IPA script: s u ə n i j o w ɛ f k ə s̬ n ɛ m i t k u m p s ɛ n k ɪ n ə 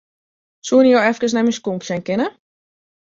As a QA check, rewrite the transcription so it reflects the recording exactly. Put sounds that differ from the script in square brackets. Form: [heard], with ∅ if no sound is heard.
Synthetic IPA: s u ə n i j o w ɛ f k ə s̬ n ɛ m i [s] k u m p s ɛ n k ɪ n ə